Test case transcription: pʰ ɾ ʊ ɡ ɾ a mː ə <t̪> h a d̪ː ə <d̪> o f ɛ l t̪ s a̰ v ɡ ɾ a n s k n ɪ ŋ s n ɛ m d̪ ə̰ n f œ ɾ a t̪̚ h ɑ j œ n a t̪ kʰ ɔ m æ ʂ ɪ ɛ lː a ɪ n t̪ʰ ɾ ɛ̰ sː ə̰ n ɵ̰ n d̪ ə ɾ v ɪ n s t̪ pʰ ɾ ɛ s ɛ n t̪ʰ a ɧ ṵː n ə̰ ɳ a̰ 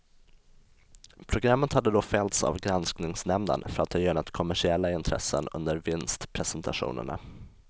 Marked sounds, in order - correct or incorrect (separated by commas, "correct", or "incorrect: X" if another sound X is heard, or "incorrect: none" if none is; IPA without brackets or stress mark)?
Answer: correct, correct